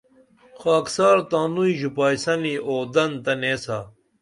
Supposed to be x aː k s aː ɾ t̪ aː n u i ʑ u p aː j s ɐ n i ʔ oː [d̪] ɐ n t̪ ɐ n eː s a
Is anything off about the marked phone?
no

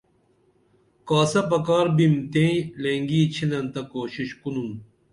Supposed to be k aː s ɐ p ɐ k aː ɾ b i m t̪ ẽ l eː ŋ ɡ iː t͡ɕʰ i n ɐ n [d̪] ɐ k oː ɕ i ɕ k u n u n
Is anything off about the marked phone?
yes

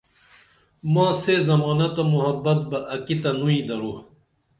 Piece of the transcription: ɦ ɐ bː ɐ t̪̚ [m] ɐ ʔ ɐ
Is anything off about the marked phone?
yes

